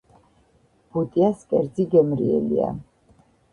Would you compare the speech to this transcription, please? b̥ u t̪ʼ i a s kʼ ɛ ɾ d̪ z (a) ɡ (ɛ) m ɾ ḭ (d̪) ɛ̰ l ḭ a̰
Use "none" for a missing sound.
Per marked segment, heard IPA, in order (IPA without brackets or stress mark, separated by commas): i, ɛ, none